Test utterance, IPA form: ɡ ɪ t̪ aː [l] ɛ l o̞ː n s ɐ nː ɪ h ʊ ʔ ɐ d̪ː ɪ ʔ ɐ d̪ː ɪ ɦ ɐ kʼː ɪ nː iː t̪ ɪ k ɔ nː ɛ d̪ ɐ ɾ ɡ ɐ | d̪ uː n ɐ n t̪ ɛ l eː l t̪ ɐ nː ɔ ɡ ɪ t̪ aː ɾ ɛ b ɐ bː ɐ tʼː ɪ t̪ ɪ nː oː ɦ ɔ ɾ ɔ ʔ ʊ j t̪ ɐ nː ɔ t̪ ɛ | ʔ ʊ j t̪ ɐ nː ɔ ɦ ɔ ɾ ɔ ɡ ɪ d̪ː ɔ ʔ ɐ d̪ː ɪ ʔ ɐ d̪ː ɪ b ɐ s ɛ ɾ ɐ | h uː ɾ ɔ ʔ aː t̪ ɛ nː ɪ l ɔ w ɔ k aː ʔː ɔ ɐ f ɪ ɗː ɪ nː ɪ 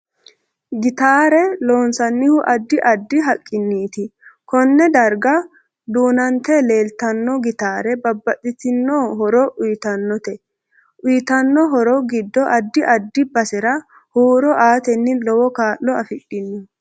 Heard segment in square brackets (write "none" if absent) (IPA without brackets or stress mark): ɾ